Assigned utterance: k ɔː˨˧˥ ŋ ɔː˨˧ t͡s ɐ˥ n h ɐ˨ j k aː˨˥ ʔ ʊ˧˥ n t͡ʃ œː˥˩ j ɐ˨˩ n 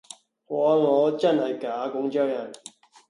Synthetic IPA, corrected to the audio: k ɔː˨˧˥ ŋ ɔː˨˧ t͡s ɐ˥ n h ɐ˨ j k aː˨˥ k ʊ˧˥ ŋ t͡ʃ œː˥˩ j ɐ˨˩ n